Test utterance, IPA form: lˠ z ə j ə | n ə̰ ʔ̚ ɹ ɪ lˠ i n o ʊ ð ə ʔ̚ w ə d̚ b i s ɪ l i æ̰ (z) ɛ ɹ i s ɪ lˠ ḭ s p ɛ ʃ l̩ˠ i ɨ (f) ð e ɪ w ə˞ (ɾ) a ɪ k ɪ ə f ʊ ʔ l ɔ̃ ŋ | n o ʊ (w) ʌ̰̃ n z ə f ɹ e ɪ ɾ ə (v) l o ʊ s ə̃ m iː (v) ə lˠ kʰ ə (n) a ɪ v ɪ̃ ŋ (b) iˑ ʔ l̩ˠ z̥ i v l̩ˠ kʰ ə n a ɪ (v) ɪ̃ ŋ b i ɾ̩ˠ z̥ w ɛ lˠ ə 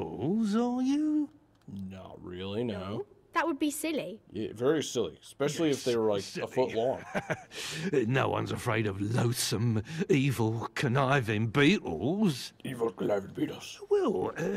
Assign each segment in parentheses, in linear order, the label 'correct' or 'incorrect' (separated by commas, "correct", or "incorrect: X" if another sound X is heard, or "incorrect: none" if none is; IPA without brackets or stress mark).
incorrect: v, correct, incorrect: l, correct, correct, correct, correct, correct, correct